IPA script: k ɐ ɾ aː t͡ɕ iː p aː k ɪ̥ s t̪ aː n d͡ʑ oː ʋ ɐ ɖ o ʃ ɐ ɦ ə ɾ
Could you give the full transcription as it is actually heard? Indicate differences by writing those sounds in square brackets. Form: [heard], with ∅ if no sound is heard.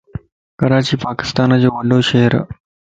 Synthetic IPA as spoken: k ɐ ɾ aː t͡ɕ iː p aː k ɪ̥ s t̪ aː n d͡ʑ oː ʋ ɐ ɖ o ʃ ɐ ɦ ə ɾ